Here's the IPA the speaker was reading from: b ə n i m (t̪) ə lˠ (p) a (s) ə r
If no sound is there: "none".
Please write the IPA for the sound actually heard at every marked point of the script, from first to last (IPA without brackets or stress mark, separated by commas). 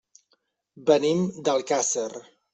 d̪, k, s